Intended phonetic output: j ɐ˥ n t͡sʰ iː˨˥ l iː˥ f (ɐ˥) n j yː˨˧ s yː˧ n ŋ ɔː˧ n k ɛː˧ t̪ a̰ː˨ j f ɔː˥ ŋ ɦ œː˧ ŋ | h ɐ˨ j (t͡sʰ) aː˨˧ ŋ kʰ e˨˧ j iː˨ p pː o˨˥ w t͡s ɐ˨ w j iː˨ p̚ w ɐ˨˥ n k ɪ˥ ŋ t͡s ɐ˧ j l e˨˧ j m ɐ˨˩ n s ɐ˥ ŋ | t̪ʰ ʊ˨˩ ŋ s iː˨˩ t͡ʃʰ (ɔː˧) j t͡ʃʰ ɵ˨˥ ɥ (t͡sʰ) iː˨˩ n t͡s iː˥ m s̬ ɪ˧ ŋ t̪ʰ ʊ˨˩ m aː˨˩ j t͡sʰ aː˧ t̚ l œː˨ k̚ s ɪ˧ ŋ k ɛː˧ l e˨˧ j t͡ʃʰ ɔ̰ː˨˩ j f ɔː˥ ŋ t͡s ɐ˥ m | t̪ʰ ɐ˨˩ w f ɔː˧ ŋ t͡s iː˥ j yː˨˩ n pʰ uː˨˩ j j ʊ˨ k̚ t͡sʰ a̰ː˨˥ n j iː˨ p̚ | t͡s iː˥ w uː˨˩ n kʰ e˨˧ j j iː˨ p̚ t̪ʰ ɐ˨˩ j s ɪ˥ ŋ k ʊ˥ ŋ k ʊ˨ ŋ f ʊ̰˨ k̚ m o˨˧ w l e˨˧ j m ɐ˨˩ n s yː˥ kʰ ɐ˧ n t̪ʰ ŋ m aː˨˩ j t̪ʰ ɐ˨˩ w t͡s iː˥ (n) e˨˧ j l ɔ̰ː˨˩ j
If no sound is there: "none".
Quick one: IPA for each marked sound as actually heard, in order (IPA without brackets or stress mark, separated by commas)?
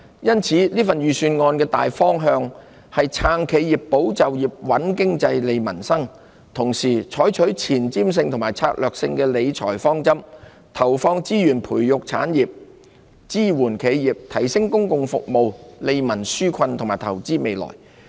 ɐ˨, t͡sʰ, ɔː˨˥, t͡sʰ, m